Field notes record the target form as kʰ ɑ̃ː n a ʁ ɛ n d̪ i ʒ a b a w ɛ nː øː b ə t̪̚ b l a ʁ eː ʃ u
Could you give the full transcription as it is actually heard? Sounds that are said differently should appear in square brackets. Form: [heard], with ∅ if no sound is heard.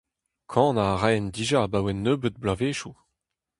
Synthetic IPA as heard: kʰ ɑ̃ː n a ʁ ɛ n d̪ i ʒ a b a w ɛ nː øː b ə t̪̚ b l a [v] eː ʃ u